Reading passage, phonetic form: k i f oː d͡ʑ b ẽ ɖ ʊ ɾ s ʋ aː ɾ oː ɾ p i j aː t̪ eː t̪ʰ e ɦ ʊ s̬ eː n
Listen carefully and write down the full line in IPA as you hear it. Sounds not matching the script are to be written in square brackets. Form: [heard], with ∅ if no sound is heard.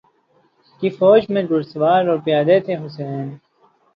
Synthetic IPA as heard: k i f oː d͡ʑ [m] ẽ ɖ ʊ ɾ s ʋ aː ɾ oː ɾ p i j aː [d̪] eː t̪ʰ e ɦ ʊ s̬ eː n